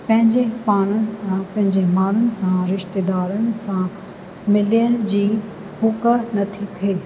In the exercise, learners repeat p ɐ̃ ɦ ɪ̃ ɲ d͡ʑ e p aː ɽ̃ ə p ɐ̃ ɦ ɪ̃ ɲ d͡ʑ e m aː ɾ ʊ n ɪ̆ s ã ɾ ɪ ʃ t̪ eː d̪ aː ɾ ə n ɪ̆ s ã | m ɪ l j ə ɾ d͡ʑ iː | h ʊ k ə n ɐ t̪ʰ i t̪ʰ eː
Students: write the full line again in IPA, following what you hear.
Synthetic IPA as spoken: p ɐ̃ ɦ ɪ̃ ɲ d͡ʑ e p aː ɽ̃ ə p ɐ̃ ɦ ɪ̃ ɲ d͡ʑ e m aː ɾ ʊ n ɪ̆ s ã ɾ ɪ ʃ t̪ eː d̪ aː ɾ ə n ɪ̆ s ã | m ɪ l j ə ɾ d͡ʑ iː | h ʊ k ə n ɐ t̪ʰ i t̪ʰ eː